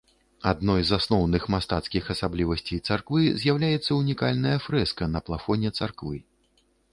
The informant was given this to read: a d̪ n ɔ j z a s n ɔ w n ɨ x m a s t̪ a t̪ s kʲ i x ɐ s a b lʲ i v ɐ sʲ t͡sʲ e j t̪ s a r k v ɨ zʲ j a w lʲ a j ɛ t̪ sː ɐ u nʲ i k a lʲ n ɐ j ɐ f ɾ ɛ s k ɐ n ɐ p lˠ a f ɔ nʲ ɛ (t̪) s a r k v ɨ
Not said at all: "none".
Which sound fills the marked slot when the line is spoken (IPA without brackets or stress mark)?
t̪